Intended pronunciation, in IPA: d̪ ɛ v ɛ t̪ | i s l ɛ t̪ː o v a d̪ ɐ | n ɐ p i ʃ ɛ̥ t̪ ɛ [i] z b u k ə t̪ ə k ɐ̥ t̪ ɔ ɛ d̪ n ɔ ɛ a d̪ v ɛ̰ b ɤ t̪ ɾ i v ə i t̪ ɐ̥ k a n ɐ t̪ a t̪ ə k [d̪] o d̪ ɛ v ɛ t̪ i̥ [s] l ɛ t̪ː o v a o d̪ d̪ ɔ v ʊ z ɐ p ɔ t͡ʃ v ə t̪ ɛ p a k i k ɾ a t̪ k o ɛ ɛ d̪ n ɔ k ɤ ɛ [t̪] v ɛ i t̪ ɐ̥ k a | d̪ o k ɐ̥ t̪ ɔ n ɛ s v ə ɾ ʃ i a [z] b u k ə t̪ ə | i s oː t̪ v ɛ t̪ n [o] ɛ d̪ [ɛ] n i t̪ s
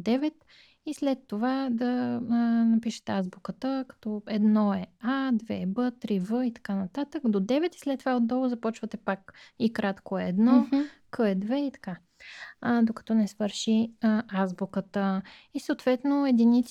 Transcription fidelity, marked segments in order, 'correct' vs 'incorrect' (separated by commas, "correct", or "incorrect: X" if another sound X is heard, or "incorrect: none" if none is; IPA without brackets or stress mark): incorrect: a, correct, correct, incorrect: d̪, correct, correct, incorrect: i